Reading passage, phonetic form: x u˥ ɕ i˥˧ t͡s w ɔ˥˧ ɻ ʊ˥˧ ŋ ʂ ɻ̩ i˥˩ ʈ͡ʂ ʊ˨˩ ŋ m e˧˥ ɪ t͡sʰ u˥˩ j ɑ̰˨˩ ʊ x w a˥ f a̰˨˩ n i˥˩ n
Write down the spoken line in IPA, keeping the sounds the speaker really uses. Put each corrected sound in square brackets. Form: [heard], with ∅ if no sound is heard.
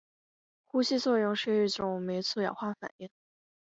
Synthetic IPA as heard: x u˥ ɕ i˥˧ t͡s w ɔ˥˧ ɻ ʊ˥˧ ŋ ʂ ɻ̩ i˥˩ ʈ͡ʂ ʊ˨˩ ŋ m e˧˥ ɪ t͡sʰ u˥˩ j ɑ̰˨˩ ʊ x w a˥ f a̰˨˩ n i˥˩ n